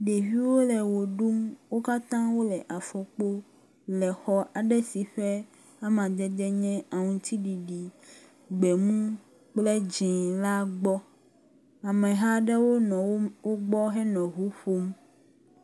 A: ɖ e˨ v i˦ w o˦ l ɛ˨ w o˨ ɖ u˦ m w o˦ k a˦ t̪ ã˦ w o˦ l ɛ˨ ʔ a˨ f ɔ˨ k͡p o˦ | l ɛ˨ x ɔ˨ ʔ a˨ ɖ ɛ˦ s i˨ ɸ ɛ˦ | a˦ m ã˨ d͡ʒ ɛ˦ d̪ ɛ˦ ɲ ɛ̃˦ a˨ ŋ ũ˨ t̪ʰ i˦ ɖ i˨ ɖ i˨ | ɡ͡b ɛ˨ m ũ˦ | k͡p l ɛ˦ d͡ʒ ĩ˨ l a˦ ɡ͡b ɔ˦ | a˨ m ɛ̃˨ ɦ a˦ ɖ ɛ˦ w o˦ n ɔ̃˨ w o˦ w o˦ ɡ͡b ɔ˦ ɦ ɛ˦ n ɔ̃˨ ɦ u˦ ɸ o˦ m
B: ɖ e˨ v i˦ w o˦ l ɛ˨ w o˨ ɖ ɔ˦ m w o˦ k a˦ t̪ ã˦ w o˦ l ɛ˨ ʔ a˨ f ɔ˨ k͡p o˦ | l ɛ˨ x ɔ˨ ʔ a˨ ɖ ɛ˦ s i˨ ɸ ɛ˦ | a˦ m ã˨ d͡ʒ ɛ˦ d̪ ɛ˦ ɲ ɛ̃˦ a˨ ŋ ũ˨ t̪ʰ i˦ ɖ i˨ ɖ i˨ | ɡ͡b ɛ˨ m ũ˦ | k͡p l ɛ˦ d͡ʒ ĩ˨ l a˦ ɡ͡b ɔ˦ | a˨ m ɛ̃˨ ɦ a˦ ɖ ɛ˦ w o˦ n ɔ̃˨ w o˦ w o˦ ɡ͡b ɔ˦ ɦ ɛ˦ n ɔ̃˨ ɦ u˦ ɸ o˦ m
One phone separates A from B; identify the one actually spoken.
A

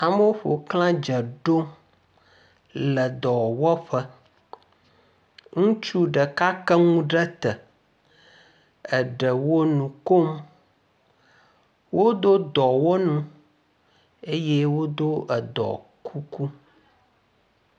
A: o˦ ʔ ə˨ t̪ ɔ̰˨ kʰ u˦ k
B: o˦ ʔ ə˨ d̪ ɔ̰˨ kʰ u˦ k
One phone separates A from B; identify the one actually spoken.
B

